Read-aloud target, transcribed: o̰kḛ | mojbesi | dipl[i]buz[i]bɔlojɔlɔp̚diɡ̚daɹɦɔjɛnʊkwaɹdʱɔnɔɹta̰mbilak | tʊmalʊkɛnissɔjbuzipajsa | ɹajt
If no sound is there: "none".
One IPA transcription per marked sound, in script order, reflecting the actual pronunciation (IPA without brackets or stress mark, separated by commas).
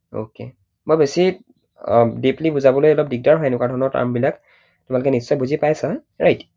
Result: i, a